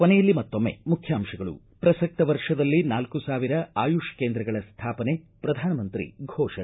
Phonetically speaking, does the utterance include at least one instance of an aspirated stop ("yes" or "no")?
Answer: yes